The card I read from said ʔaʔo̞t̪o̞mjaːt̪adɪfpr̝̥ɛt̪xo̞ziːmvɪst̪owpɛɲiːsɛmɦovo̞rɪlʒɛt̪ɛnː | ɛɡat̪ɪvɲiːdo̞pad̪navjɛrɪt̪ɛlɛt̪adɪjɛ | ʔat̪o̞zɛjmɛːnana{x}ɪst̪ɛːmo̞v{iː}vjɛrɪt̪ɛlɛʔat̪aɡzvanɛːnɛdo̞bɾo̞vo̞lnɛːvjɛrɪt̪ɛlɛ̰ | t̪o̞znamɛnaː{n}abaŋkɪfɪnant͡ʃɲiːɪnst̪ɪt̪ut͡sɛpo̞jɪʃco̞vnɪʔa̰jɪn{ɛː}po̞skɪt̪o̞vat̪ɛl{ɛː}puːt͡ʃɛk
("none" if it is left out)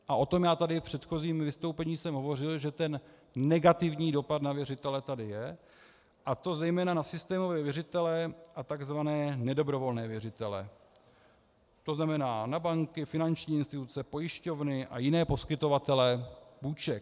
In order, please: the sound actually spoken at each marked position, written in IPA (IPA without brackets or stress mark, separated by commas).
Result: s, ɛː, n, ɛː, ɛ